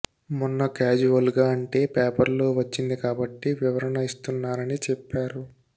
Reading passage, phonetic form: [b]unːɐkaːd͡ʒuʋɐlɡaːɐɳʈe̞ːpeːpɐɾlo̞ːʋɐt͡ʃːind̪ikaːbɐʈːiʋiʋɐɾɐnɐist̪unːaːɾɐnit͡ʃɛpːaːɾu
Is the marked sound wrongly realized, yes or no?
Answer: yes